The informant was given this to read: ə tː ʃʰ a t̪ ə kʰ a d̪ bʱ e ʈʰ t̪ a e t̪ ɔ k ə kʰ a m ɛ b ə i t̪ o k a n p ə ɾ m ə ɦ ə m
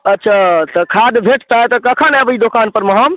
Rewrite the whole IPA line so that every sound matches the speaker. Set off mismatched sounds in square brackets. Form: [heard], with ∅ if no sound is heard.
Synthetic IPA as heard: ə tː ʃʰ a t̪ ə kʰ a d̪ bʱ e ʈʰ t̪ a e t̪ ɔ k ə kʰ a [n] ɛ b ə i [d̪] o k a n p ə ɾ m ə ɦ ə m